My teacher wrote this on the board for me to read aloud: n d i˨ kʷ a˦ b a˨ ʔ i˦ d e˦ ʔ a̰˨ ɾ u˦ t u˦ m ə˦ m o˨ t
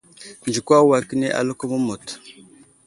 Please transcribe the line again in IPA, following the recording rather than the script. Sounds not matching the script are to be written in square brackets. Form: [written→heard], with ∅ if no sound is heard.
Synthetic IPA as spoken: n [d→d͡ʒ] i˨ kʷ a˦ [b→w] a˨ [ʔ→k] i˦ [d→n] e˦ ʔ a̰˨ [ɾ→l] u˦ [t→k] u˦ m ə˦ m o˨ t